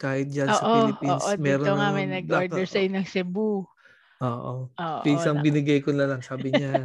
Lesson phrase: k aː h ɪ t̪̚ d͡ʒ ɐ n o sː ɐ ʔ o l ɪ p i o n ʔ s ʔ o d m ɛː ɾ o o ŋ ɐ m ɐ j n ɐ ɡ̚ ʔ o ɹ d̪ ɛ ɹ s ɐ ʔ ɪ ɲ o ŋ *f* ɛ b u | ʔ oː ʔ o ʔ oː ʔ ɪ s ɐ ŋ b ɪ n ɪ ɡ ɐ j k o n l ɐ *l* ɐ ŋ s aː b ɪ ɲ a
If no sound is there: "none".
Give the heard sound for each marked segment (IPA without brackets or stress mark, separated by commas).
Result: s, l